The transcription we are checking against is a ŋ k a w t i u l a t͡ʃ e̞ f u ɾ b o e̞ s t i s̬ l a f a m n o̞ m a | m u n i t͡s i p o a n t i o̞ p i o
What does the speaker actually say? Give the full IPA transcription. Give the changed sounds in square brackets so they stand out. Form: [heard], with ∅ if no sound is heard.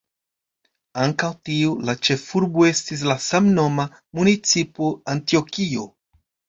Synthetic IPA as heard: a ŋ k a w t i u l a t͡ʃ e̞ f u ɾ b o e̞ s t i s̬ l a [s] a m n o̞ m a | m u n i t͡s i p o a n t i o̞ [k] i o